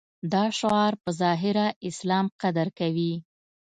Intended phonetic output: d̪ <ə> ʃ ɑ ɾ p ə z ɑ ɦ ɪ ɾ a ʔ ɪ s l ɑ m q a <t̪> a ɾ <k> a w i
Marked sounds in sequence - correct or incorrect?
incorrect: ɑ, incorrect: d̪, correct

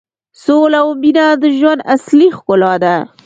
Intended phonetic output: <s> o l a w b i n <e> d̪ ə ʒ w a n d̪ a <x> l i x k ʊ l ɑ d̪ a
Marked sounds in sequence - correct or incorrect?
correct, incorrect: a, incorrect: s

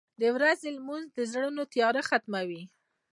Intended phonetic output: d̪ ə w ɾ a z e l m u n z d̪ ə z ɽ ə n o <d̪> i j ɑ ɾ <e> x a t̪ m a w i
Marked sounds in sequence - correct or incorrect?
incorrect: t̪, incorrect: a

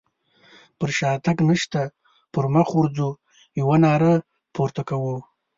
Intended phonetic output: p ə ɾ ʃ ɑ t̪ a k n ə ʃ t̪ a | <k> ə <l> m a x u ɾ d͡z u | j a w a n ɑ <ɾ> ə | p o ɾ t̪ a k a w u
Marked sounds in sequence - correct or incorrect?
incorrect: p, incorrect: ɾ, correct

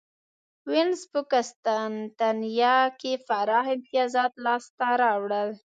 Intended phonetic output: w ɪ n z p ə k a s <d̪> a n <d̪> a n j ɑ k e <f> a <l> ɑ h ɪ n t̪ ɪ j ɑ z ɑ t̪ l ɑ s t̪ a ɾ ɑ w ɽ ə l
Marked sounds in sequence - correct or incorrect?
incorrect: t̪, incorrect: t̪, correct, incorrect: ɾ

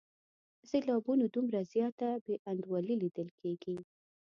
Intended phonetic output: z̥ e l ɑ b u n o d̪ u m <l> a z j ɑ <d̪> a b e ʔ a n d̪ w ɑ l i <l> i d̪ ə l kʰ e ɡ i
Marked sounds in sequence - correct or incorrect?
incorrect: ɾ, incorrect: t̪, correct

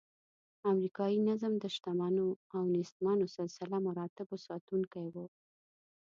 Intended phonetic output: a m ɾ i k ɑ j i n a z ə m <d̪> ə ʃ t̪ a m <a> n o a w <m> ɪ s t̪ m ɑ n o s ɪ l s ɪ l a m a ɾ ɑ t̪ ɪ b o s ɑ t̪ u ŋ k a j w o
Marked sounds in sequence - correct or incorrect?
correct, incorrect: ɑ, incorrect: n

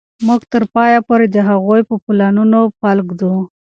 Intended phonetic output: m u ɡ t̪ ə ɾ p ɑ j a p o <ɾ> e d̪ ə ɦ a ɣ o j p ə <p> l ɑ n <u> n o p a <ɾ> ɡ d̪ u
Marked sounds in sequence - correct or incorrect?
correct, correct, correct, incorrect: l

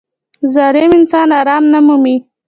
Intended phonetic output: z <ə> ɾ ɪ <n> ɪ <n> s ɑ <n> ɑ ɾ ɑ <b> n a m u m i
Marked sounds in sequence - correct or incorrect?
incorrect: ɑ, incorrect: m, correct, correct, incorrect: m

